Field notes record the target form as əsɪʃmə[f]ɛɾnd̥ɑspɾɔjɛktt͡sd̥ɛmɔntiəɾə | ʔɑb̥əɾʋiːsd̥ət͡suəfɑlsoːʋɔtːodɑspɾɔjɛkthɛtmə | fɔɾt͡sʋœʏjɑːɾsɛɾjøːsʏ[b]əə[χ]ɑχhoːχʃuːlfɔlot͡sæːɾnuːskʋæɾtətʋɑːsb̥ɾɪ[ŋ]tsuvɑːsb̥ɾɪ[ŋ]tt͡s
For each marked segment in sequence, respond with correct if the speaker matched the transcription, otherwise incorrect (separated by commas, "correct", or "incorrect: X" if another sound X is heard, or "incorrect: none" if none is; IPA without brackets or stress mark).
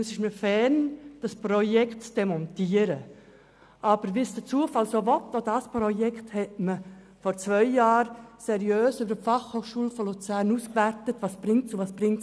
correct, correct, incorrect: f, correct, correct